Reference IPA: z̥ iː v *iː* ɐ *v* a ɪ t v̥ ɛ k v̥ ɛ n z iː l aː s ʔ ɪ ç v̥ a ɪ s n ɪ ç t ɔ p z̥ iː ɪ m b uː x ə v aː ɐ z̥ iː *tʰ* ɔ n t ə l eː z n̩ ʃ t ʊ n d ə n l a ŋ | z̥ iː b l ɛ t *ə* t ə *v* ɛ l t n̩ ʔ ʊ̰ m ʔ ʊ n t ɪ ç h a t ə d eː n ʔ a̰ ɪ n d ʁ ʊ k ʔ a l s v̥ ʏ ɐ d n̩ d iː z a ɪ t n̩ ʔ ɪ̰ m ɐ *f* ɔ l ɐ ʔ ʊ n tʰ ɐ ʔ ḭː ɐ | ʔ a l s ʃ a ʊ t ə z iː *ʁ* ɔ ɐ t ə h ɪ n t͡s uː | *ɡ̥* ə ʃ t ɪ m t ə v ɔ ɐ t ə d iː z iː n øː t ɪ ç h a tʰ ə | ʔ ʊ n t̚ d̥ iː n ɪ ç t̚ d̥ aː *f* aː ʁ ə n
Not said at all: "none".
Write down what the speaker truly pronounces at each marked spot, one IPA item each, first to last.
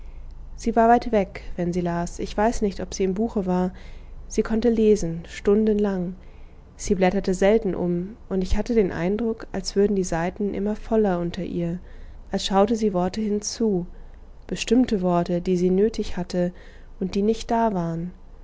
aː, v, kʰ, ɐ, z, f, v, b̥, v

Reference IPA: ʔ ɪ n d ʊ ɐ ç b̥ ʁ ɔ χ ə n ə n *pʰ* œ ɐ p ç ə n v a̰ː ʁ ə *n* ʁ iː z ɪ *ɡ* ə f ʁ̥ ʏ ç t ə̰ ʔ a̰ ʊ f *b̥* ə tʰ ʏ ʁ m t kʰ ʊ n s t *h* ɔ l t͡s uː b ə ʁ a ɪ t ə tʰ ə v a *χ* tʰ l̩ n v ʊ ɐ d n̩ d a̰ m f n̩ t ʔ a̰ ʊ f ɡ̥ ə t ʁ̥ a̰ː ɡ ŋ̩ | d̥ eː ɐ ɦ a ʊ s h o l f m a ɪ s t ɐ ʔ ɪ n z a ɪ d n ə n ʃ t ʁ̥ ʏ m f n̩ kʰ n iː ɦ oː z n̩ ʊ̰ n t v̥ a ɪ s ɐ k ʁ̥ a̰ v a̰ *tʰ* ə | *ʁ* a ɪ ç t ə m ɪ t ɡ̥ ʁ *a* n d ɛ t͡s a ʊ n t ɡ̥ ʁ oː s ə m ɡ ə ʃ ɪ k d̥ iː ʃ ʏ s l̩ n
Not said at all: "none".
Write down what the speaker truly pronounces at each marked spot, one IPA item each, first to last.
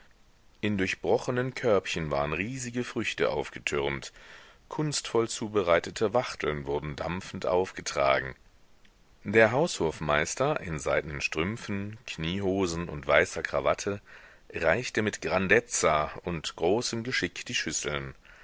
kʰ, n, ɡ, ɡ̥, f, χ, tʰ, ʁ, a

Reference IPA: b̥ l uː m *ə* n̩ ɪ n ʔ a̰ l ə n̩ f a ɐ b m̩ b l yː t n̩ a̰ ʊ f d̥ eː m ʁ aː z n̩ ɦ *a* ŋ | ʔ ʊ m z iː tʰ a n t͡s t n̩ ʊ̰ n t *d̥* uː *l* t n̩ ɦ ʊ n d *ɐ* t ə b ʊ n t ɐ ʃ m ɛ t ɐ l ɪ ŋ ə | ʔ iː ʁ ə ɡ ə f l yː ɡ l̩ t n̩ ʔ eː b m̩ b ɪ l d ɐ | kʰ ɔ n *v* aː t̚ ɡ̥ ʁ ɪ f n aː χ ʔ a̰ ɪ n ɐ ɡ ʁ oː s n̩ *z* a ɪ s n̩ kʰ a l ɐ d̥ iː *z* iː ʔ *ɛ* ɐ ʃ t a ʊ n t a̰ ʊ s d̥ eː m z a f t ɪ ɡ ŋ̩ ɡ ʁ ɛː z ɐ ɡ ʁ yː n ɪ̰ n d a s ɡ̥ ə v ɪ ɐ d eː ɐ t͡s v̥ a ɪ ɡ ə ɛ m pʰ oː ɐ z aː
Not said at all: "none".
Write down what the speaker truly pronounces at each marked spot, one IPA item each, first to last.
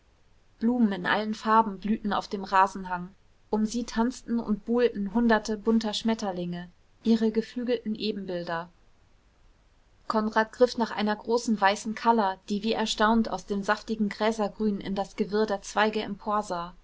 ə, a, b̥, l, ɐ, ʁ, v, v, ɛ

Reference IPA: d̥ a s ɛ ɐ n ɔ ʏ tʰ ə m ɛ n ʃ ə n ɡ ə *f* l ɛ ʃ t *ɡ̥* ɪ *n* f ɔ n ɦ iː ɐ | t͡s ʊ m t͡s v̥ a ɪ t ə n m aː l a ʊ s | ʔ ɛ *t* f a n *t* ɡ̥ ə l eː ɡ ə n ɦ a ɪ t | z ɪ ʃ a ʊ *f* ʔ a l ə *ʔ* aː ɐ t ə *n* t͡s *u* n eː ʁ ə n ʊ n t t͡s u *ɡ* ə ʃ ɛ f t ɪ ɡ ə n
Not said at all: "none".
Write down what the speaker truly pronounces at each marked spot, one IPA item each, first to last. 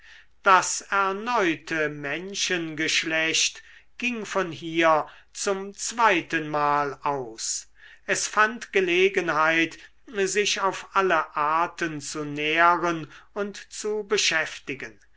ʃ, ɡ̥, ŋ, s, t, f, ʔ, n, u, b

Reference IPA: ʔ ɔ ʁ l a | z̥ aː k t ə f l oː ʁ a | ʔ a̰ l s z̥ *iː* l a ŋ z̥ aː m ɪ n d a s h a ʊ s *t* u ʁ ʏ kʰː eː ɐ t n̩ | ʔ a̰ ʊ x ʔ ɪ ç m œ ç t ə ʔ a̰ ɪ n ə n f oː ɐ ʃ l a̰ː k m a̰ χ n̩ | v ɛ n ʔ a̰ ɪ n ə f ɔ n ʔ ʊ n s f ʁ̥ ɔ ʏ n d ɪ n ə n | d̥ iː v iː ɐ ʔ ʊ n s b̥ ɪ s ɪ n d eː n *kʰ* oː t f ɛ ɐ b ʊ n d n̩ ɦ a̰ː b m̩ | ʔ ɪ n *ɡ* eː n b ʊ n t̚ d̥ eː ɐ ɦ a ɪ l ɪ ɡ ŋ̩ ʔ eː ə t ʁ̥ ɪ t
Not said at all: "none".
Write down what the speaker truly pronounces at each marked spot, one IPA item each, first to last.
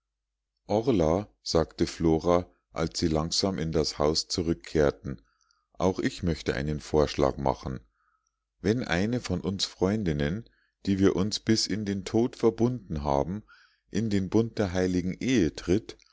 iː, t͡s, tʰ, d

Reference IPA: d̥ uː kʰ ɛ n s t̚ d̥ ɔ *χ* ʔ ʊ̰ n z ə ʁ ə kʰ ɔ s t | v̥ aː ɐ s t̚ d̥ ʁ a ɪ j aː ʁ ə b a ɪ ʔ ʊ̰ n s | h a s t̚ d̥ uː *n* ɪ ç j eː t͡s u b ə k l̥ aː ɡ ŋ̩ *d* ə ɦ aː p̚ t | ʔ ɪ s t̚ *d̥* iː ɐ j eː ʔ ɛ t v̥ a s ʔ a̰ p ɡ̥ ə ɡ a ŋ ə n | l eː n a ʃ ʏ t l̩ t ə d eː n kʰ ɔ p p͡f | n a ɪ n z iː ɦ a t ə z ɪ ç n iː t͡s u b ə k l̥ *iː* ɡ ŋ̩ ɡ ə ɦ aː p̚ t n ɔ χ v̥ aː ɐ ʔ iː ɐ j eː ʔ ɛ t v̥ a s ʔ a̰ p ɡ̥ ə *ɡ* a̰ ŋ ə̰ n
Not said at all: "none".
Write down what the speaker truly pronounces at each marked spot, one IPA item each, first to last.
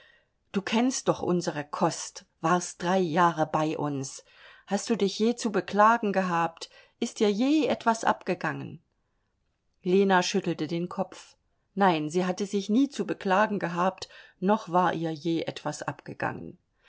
χ, d, ɡ, d̥, aː, ɡ

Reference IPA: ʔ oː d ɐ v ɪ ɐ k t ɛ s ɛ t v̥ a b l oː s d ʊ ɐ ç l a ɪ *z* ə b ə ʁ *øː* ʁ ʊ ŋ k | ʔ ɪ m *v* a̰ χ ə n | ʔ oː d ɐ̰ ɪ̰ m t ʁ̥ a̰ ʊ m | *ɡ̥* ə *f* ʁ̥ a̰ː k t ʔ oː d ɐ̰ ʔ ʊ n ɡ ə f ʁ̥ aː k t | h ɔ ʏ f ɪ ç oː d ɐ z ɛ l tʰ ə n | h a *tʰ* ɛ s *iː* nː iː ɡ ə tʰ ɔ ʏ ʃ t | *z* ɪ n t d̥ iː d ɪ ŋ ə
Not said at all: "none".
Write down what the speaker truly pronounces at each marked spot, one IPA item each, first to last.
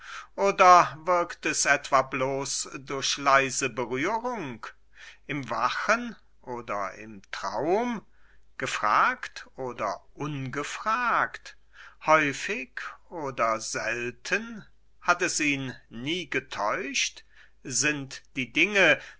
z, yː, v, ɡ̥, f, t, iː, z

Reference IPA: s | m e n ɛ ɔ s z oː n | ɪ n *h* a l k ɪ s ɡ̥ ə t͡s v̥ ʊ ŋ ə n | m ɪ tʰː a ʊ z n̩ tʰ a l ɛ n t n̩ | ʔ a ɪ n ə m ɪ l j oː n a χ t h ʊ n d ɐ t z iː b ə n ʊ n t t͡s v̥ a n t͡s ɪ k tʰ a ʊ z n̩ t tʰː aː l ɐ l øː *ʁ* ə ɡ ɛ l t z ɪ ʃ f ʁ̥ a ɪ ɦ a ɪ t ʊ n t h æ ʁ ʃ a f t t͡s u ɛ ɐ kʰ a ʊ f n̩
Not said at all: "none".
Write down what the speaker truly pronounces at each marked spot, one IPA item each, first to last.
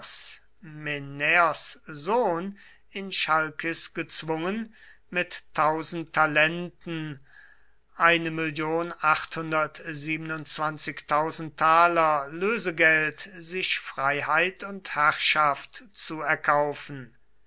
ʃ, z

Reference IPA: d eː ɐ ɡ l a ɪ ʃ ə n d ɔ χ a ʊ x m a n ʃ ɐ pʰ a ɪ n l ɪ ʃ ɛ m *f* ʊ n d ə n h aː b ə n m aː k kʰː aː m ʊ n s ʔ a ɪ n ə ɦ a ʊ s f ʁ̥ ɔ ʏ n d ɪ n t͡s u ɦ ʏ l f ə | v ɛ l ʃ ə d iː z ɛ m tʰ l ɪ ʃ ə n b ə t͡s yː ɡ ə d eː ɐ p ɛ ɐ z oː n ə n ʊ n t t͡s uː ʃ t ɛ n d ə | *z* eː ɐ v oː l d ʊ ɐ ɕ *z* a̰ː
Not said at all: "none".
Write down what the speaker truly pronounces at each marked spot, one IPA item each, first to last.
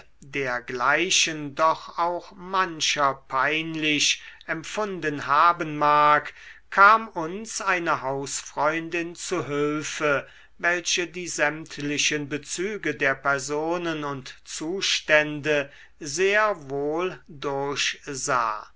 f, z, z

